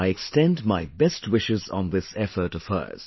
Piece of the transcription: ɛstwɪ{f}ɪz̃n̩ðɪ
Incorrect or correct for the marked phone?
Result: incorrect: ʃ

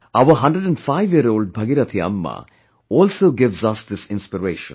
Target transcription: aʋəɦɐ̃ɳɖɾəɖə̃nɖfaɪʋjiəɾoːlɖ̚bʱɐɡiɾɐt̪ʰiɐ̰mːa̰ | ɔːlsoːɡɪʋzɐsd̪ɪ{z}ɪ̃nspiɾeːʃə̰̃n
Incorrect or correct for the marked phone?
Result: incorrect: s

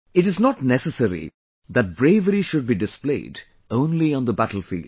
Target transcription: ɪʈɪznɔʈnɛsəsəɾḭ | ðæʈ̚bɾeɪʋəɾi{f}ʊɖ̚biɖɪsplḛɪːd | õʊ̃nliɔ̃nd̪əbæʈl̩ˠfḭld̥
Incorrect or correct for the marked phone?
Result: incorrect: ʃ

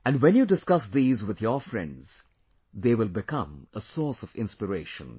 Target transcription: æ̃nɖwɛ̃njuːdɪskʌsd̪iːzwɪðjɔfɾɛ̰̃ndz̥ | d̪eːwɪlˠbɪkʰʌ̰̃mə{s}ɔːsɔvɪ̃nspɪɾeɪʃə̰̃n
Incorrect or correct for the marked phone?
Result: correct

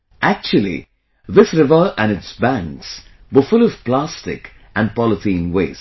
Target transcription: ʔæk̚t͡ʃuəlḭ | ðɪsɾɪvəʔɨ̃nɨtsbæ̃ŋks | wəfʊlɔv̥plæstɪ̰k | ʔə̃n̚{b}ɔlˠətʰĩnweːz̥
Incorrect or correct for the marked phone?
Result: incorrect: p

